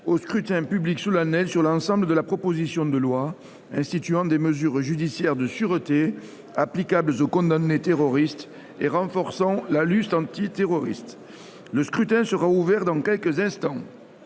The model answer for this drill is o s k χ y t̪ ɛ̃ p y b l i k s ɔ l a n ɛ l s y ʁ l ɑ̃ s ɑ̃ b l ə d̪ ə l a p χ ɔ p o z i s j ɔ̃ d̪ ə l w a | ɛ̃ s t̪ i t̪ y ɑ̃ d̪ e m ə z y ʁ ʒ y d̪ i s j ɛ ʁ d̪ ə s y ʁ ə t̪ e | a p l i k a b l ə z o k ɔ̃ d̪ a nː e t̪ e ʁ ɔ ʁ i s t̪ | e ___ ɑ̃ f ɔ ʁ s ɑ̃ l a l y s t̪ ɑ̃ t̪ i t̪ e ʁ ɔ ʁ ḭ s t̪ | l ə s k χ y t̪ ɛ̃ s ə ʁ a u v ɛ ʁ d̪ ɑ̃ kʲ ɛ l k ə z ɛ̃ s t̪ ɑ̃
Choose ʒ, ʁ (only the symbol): ʁ